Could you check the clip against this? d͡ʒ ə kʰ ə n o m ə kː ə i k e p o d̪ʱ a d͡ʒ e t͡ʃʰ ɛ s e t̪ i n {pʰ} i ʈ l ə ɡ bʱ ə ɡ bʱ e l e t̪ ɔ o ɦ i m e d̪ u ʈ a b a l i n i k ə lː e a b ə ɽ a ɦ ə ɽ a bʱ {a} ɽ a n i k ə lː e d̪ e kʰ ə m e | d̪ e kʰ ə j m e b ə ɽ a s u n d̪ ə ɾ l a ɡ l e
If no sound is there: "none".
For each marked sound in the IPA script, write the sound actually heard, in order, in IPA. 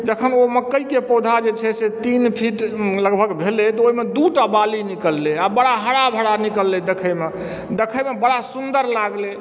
pʰ, ə

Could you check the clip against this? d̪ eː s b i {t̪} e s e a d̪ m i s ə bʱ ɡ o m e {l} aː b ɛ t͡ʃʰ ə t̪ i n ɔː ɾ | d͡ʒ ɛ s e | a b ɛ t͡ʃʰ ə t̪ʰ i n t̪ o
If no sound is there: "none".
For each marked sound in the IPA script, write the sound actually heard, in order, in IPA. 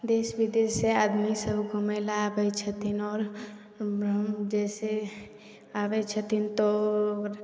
d̪, l

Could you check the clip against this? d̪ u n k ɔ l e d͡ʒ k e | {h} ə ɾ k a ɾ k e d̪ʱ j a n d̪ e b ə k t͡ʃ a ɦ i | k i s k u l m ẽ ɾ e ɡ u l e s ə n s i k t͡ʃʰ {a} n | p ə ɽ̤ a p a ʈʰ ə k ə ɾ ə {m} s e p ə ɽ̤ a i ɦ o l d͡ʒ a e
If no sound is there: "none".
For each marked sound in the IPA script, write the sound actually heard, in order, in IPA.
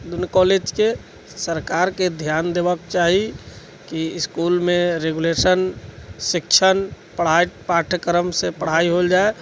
s, ə, m

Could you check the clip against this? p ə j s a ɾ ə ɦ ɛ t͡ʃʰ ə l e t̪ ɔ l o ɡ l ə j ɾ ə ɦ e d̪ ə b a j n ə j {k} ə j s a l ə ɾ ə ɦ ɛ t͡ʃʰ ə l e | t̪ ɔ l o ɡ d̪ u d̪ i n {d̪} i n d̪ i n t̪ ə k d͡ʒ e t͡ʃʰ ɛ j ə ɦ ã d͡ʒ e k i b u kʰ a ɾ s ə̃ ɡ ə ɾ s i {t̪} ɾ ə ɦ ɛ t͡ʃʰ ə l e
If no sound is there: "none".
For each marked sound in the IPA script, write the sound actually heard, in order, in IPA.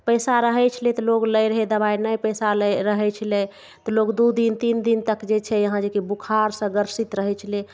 p, t̪, t̪

